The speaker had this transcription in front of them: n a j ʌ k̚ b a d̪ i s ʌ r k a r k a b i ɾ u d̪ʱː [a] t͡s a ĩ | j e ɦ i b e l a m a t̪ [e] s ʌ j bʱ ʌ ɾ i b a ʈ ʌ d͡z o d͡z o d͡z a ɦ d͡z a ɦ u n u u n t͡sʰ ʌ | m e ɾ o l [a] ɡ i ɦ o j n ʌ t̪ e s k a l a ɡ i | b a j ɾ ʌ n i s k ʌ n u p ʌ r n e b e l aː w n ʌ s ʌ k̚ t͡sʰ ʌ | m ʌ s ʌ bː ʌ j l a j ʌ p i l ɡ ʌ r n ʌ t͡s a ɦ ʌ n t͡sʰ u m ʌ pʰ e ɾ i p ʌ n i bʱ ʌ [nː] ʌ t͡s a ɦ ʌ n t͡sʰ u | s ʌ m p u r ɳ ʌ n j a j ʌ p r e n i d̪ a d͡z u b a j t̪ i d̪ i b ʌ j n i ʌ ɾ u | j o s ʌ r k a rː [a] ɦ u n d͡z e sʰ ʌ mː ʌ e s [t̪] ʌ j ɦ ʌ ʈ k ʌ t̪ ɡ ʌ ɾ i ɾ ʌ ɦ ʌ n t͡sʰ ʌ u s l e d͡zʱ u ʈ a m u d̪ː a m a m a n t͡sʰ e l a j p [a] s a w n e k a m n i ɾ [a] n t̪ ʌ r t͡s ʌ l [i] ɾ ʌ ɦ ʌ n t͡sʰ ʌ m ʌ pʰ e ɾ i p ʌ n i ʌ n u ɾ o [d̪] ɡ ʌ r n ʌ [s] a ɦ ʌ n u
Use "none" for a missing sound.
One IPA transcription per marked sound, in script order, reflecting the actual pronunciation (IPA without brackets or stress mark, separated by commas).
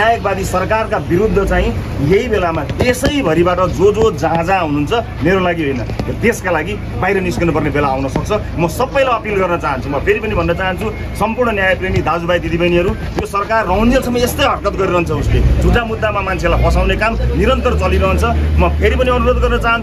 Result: ʌ, e, a, nː, ʌ, t̪, ʌ, ʌ, i, d̪, t͡s